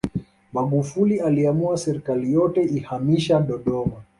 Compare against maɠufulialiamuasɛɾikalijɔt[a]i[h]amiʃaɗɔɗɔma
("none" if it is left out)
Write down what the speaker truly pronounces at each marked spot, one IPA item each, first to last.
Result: ɛ, h

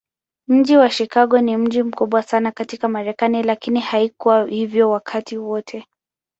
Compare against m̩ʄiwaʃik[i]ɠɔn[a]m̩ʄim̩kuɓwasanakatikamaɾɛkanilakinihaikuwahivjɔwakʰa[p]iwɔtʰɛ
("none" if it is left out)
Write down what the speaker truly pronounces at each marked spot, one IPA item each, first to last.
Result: a, i, t

